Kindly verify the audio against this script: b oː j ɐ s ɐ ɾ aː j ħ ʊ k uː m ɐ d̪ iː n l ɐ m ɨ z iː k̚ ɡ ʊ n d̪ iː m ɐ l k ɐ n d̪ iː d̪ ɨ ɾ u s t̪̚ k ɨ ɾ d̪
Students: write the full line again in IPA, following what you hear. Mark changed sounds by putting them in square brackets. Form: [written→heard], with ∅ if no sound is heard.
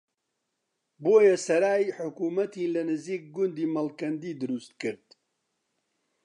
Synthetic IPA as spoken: b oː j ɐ s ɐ ɾ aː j ħ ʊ k uː m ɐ [d̪→t̪] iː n l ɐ [m→n] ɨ z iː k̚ ɡ ʊ n d̪ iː m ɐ l k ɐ n d̪ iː d̪ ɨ ɾ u s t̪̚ k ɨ ɾ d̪